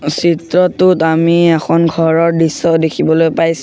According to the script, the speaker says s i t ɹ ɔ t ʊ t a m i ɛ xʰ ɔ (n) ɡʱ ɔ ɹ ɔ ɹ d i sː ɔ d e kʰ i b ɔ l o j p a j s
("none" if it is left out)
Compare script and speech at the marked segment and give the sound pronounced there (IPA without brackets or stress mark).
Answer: n